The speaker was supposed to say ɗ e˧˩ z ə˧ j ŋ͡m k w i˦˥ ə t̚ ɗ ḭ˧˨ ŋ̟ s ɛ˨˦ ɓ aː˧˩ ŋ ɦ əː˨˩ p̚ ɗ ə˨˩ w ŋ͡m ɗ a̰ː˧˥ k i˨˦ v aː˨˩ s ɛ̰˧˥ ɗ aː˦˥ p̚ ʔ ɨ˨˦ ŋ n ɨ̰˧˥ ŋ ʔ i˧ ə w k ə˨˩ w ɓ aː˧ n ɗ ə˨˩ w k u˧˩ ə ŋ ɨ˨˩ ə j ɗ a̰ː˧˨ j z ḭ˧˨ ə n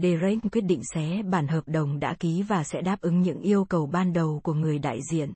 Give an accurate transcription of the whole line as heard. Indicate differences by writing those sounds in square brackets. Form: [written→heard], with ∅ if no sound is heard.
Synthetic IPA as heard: ɗ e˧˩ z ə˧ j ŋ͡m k w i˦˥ ə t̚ ɗ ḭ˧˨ ŋ̟ s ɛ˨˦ ɓ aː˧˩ [ŋ→n] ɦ əː˨˩ p̚ ɗ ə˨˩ w ŋ͡m ɗ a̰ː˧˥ k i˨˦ v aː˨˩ s ɛ̰˧˥ ɗ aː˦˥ p̚ ʔ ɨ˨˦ ŋ [n→ɲ] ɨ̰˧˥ ŋ ʔ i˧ ə w k ə˨˩ w ɓ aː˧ n ɗ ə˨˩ w k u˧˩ ə ŋ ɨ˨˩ ə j ɗ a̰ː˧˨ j z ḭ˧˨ ə n